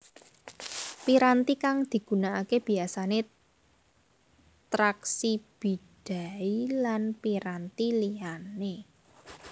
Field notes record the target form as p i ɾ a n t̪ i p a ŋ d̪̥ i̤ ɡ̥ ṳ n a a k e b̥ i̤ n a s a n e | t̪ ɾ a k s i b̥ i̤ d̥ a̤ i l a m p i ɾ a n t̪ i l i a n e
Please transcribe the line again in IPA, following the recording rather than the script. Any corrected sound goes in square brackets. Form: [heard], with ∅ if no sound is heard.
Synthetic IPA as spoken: p i ɾ a n t̪ i [k] a ŋ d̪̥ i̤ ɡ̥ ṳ n a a k e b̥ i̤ [∅] a s a n e | t̪ ɾ a k s i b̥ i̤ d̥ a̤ i l a [n] p i ɾ a n t̪ i l i a n e